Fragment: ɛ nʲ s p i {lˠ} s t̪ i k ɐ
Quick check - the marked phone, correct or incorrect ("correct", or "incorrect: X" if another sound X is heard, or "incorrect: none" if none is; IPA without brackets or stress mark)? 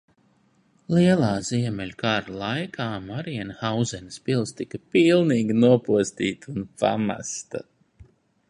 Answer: correct